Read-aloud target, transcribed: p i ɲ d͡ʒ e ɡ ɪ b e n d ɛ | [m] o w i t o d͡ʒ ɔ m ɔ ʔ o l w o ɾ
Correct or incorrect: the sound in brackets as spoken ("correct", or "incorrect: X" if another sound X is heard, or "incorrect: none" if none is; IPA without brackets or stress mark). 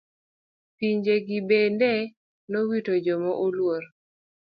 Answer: incorrect: n